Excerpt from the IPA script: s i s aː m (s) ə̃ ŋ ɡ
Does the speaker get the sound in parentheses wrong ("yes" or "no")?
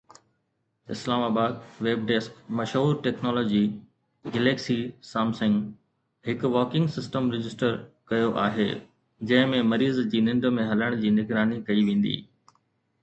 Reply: no